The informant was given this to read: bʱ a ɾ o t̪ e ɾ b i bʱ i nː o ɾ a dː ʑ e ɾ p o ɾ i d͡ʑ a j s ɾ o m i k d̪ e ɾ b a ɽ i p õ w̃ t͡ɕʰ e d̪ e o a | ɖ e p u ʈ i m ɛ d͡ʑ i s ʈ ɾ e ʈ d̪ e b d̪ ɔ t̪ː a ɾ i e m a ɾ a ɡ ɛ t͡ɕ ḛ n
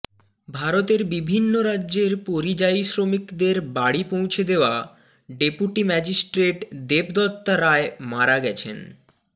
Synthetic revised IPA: bʱ a ɾ o t̪ e ɾ b i bʱ i nː o ɾ a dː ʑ e ɾ p o ɾ i d͡ʑ a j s ɾ o m i k d̪ e ɾ b a ɽ i p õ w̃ t͡ɕʰ e d̪ e o a | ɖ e p u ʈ i m ɛ d͡ʑ i s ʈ ɾ e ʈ d̪ e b d̪ ɔ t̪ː a ɾ a e m a ɾ a ɡ ɛ t͡ɕʰ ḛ n